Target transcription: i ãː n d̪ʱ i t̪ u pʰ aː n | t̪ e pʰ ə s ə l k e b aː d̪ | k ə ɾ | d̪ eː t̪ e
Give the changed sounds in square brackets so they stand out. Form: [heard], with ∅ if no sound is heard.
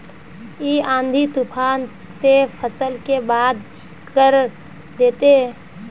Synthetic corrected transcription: i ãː n d̪ʱ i t̪ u pʰ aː n | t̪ e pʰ ə s ə l k e b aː d̪ | k ə ɾ | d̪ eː t̪ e